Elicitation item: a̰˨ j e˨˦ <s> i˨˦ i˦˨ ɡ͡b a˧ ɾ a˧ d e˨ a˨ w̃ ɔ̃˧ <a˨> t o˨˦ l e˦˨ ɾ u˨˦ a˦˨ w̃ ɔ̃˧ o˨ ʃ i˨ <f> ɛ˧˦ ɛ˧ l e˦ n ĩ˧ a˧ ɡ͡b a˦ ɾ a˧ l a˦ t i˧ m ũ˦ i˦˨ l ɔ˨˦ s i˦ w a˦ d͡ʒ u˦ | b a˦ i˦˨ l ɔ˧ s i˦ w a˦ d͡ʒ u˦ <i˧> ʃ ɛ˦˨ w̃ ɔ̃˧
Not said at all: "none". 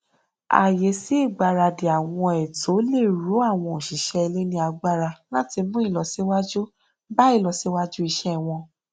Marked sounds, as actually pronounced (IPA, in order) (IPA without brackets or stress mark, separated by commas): s, ɛ˨, ʃ, i˧